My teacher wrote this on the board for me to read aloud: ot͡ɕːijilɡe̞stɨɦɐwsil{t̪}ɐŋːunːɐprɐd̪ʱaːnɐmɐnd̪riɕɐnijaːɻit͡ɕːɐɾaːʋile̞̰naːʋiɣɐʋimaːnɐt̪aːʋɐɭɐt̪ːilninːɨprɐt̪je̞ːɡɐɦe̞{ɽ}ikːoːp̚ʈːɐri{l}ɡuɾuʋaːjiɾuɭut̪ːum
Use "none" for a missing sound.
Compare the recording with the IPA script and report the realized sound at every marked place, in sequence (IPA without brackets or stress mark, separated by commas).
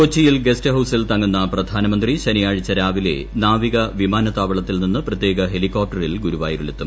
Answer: t̪, l, l